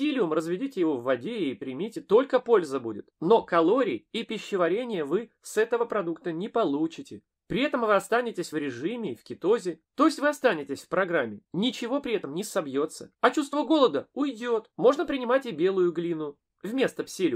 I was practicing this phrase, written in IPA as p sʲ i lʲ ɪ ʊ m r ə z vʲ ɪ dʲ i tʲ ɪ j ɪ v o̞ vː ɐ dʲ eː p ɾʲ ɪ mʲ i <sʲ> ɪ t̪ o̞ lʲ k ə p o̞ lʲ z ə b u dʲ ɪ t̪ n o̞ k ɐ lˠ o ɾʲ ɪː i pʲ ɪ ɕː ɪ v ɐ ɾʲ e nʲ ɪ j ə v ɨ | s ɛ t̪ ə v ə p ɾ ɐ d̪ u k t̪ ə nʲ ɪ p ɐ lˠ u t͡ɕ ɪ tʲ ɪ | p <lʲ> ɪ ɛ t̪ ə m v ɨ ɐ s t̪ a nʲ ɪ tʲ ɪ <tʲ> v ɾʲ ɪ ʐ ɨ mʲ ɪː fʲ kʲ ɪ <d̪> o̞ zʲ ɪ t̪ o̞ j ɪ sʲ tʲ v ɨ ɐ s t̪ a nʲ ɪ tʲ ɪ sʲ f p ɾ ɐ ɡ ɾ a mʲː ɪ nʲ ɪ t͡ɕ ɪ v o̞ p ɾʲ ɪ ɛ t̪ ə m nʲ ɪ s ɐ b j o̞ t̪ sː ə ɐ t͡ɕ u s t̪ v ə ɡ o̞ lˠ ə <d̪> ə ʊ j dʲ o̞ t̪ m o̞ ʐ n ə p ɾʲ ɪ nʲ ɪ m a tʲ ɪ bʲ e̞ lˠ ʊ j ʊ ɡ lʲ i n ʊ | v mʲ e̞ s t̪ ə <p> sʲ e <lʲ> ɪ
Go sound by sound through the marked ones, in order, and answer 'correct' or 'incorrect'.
incorrect: tʲ, incorrect: ɾʲ, incorrect: sʲ, incorrect: t̪, correct, correct, correct

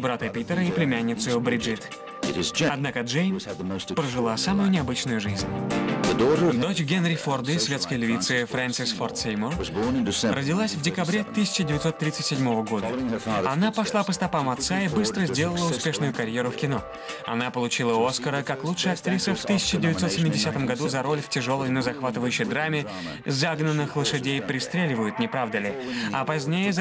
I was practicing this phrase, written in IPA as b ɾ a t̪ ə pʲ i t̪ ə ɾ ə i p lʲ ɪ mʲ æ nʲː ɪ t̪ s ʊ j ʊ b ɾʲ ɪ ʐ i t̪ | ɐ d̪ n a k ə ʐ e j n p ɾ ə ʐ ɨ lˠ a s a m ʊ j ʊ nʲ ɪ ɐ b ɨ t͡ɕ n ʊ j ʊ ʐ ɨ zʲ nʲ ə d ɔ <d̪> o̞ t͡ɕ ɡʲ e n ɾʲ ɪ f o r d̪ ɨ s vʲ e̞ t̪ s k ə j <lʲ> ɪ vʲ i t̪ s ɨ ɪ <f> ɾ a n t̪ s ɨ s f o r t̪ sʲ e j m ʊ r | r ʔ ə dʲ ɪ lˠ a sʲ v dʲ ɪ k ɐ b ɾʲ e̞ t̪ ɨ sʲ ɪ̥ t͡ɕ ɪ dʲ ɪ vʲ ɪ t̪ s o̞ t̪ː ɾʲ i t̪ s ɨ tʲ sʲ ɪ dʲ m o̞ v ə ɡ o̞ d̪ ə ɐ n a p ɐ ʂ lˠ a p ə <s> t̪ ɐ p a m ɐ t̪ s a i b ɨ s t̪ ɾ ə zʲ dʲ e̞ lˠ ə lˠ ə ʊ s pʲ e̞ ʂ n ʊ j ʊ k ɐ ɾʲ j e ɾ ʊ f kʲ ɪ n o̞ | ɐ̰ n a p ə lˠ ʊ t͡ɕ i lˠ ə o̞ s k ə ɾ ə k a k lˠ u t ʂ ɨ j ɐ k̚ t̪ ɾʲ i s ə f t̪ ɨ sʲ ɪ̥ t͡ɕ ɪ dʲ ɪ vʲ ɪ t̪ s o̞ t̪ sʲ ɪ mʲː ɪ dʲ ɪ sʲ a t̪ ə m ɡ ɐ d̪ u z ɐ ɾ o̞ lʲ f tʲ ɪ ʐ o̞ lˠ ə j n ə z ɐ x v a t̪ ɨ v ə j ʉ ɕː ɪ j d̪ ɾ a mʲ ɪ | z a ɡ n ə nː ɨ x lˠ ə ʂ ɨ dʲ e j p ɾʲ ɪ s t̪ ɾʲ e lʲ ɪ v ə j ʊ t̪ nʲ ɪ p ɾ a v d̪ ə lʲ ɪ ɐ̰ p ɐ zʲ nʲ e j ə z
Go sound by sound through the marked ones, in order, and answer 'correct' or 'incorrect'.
correct, correct, correct, correct

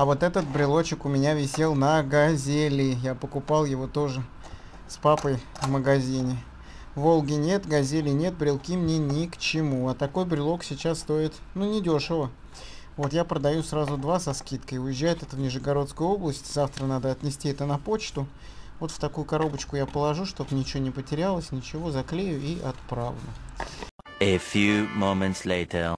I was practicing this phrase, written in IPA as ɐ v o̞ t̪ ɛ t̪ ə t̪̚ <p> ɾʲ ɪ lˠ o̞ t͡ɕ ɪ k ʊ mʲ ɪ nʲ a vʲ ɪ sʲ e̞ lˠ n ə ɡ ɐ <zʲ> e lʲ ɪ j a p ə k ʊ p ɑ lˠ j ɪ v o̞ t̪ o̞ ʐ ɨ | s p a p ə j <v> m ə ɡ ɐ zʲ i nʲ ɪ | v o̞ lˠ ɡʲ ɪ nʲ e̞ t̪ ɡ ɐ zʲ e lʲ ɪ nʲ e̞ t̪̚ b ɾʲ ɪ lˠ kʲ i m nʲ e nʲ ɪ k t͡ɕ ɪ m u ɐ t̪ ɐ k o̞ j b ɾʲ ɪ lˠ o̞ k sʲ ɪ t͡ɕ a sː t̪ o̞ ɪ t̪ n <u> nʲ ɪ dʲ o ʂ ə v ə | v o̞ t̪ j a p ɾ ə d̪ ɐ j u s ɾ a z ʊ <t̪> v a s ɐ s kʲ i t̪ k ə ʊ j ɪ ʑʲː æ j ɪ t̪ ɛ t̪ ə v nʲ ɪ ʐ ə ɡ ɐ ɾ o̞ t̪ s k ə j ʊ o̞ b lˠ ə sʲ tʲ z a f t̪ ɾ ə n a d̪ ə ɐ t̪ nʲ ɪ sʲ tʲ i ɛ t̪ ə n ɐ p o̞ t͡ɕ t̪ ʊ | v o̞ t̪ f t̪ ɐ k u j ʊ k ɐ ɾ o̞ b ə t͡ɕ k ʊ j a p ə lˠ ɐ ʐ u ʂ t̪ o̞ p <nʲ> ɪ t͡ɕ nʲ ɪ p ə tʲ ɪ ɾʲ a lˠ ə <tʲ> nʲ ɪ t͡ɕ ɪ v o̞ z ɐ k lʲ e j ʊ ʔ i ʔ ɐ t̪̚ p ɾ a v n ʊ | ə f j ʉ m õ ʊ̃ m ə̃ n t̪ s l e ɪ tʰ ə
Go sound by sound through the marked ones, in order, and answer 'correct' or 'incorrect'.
incorrect: b, correct, correct, correct, incorrect: d̪, correct, incorrect: sʲ

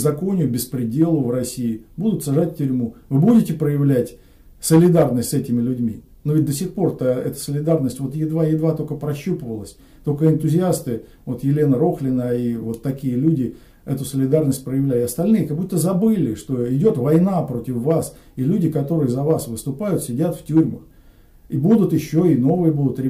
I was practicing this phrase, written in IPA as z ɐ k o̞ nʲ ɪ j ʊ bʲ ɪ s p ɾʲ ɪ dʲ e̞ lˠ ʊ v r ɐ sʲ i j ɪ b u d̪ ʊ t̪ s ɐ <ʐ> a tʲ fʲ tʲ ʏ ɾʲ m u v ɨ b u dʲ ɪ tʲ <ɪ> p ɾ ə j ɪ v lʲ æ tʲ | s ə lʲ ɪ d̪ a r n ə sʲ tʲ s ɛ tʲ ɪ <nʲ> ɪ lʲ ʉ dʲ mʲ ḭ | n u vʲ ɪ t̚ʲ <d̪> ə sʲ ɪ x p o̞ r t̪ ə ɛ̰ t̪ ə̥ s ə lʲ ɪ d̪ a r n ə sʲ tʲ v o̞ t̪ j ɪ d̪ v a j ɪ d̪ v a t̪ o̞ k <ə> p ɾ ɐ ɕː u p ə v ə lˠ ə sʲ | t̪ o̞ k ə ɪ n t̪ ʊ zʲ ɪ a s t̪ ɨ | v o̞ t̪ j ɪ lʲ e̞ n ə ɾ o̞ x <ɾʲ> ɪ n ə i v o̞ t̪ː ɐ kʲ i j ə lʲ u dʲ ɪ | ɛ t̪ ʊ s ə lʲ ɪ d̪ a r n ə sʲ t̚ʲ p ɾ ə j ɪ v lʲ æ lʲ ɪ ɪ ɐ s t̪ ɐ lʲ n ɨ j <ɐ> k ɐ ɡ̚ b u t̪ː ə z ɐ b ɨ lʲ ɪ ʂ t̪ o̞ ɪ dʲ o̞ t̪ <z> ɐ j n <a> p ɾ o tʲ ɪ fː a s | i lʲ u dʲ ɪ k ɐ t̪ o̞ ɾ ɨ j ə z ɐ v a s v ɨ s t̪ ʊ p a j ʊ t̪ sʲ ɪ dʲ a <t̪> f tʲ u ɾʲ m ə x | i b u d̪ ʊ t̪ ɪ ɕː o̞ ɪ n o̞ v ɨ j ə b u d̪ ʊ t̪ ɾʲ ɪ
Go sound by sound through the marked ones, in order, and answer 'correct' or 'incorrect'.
correct, correct, incorrect: mʲ, correct, correct, incorrect: lʲ, incorrect: ə, incorrect: v, correct, correct

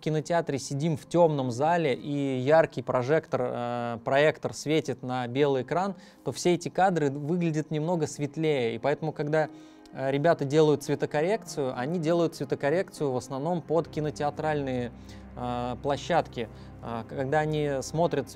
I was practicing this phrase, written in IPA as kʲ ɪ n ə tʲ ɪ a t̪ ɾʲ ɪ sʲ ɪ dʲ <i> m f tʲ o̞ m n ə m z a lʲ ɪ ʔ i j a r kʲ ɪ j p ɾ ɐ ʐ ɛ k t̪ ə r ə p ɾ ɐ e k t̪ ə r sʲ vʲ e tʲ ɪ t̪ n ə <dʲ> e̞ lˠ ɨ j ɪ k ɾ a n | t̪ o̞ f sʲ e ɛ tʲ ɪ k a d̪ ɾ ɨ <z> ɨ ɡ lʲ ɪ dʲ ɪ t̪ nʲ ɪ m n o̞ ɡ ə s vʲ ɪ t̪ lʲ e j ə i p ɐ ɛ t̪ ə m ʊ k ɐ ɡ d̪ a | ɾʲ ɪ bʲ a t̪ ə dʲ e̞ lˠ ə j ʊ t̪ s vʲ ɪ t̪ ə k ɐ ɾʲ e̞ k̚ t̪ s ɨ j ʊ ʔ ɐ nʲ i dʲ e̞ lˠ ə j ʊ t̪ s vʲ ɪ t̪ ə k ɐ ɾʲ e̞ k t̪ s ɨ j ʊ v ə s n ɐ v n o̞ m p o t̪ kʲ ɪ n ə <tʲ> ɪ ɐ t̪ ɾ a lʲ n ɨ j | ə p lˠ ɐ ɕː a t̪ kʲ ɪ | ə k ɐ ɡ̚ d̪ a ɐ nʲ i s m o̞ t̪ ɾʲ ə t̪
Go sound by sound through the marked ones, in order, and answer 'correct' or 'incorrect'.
correct, incorrect: bʲ, incorrect: v, correct

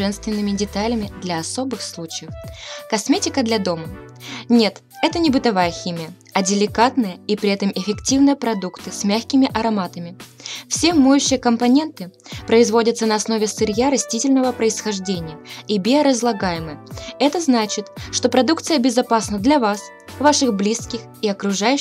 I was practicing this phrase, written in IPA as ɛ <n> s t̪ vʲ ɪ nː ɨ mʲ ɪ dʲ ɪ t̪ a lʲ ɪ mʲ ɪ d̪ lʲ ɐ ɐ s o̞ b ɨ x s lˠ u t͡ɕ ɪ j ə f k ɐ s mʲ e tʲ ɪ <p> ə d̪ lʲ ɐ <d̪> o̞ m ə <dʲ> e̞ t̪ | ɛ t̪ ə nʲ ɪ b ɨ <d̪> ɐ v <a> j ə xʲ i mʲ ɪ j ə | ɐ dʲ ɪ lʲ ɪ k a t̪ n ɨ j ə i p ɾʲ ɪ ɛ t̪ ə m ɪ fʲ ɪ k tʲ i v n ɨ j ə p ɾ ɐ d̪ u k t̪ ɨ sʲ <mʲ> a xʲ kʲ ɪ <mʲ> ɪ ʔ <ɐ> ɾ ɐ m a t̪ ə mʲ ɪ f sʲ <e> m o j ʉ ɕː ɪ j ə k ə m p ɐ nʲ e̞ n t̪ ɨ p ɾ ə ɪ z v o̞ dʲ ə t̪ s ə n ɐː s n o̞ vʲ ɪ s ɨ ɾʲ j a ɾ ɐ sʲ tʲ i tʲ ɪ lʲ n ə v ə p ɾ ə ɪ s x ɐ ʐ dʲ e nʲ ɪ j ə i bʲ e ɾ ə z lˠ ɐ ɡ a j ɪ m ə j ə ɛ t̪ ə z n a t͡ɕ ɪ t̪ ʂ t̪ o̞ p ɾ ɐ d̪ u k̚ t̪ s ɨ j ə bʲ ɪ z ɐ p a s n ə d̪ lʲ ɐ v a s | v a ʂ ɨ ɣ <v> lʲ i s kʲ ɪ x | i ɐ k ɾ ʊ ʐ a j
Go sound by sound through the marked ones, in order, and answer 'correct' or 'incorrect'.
correct, incorrect: k, correct, incorrect: nʲ, incorrect: t̪, correct, correct, correct, correct, correct, incorrect: b

